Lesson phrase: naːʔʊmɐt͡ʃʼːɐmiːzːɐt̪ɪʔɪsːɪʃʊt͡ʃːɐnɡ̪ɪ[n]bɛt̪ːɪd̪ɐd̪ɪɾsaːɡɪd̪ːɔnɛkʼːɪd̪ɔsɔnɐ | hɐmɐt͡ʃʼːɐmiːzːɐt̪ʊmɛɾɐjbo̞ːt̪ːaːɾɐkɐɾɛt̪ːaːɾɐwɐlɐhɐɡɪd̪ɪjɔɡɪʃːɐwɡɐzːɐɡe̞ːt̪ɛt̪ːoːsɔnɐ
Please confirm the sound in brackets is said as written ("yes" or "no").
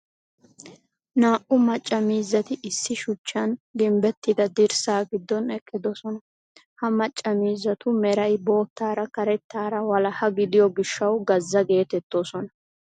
no